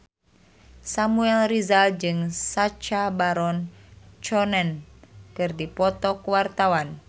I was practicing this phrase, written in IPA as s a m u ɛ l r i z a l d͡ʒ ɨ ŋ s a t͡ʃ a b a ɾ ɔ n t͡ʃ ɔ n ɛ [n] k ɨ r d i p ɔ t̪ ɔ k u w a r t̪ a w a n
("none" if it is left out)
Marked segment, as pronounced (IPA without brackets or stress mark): n